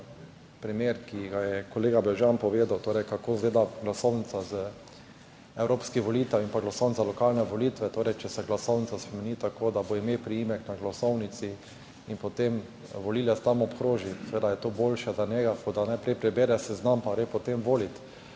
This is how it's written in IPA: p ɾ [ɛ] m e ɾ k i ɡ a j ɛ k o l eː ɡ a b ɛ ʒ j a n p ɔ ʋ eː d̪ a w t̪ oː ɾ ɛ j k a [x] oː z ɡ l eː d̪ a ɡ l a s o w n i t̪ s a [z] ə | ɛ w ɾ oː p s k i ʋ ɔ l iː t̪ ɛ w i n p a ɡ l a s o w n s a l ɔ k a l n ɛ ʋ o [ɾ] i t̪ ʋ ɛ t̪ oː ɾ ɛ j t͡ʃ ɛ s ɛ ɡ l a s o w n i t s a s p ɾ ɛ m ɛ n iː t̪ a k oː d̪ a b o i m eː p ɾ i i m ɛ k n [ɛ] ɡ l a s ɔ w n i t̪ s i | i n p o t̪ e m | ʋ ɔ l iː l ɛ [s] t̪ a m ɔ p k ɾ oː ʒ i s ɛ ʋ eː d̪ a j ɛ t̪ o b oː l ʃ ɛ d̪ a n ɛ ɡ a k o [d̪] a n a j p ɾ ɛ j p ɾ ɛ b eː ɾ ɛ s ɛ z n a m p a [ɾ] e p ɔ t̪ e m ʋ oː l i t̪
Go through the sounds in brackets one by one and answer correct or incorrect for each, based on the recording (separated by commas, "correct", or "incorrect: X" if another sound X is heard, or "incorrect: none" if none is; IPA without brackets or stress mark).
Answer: incorrect: i, incorrect: k, correct, incorrect: l, incorrect: a, correct, correct, correct